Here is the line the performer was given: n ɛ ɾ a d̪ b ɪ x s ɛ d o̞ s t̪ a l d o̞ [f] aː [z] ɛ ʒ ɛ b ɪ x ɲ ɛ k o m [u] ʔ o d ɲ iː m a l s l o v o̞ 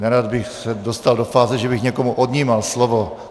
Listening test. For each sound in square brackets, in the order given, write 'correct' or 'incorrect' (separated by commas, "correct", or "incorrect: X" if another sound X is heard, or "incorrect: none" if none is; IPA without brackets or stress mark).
correct, correct, correct